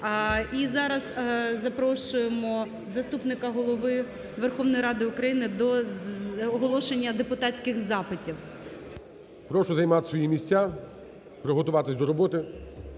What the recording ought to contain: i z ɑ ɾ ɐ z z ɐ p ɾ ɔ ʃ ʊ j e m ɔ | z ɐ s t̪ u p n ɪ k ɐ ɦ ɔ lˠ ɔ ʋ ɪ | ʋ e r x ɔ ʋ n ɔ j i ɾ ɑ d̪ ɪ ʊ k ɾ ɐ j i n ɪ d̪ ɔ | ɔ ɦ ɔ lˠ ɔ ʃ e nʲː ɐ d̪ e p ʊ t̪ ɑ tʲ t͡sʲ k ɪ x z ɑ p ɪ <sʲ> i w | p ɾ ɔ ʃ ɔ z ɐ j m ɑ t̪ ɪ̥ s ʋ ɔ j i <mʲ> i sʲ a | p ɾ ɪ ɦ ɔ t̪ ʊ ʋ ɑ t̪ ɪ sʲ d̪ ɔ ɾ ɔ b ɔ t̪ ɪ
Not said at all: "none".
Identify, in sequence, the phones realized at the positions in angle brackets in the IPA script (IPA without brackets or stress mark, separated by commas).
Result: tʲ, mʲ